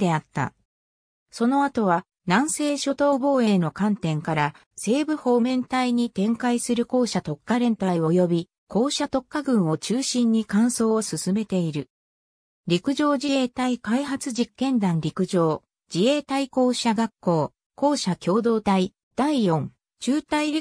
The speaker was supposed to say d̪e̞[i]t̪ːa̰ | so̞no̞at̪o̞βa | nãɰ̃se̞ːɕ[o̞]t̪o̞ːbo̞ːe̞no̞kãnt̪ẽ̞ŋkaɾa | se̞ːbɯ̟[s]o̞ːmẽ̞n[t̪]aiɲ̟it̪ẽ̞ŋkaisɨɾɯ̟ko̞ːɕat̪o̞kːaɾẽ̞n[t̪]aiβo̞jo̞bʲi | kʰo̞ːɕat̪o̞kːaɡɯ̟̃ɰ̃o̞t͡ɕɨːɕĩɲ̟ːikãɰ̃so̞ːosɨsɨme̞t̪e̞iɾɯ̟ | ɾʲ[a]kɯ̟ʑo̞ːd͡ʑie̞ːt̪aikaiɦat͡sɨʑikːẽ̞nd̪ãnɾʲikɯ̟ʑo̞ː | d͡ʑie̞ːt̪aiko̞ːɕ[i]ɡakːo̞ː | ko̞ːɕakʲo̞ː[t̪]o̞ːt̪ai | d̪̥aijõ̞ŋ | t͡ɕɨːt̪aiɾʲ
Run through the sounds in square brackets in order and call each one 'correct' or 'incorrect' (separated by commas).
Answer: incorrect, correct, incorrect, correct, correct, incorrect, incorrect, incorrect